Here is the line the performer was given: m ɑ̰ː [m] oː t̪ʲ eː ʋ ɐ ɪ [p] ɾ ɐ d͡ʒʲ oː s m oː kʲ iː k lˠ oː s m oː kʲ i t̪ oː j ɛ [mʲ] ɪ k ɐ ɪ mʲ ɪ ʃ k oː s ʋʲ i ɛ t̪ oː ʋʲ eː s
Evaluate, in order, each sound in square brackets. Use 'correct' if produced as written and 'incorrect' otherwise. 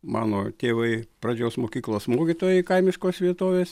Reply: incorrect: n, correct, incorrect: none

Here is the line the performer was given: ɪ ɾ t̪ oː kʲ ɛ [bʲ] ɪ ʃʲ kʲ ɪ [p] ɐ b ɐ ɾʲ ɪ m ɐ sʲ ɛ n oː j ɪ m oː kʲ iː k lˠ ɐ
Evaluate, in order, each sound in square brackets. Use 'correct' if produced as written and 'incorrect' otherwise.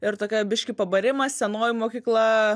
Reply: correct, correct

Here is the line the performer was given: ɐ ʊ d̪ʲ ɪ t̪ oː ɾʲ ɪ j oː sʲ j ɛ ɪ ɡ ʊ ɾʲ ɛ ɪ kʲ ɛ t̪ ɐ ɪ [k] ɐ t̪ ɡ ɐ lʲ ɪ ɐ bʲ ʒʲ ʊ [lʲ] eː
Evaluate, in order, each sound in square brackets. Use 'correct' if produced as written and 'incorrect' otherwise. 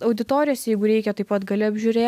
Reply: incorrect: p, incorrect: ɾʲ

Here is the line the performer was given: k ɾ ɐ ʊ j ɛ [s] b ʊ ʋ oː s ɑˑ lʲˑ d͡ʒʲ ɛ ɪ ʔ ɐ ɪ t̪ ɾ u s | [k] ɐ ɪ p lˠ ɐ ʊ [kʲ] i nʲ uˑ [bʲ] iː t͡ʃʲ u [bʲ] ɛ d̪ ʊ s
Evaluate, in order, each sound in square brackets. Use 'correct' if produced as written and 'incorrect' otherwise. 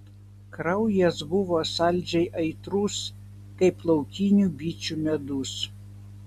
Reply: correct, correct, correct, correct, incorrect: mʲ

